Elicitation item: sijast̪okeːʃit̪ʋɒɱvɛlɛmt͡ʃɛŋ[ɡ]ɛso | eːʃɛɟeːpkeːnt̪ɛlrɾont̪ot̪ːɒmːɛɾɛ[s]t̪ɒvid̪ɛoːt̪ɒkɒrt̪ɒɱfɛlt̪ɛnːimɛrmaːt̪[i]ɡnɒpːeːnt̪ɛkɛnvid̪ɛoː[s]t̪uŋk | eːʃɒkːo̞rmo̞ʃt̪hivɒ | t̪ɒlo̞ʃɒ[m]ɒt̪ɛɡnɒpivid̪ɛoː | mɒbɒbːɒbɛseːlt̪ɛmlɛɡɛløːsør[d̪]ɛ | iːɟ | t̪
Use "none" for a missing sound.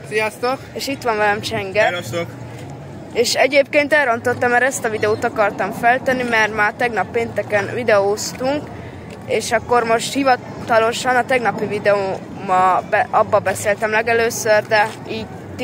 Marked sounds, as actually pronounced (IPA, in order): ɡ, s, ɛ, s, n, d̪

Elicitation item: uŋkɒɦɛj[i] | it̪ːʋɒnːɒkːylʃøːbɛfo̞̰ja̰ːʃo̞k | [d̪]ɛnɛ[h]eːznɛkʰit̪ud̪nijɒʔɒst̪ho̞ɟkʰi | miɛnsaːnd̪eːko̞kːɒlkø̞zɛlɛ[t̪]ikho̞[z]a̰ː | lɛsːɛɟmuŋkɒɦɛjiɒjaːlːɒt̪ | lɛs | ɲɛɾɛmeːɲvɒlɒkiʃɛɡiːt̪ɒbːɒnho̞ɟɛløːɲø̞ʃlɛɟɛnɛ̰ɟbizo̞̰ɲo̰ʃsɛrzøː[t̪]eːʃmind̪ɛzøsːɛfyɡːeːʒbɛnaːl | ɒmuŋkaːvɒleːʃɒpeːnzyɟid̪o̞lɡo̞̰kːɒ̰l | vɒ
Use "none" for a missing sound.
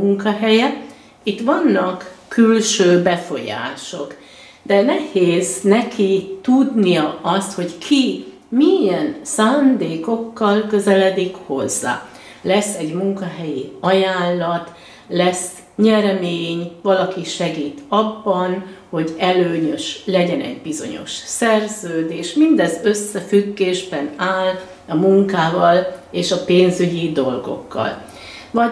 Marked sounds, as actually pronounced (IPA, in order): ɛ, d̪, h, d̪, zː, d̪

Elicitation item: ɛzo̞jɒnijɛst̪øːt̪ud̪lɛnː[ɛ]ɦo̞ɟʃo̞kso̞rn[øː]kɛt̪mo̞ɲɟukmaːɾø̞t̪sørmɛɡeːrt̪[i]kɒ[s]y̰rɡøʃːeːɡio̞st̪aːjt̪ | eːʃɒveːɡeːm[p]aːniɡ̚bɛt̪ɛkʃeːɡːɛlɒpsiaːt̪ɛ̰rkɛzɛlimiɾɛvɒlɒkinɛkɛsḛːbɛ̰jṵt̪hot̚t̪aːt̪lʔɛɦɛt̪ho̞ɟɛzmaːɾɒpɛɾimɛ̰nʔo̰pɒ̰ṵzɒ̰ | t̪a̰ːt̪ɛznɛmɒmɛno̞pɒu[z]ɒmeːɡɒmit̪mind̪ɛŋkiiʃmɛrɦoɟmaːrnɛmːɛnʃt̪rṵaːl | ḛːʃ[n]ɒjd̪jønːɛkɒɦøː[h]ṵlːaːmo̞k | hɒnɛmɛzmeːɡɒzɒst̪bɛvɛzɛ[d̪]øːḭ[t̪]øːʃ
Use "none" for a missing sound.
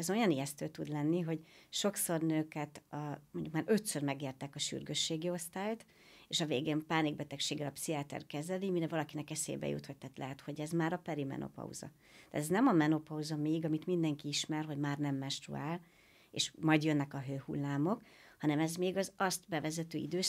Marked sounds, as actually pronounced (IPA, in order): i, øː, ɛ, ʃ, p, z, m, h, t̪, d̪

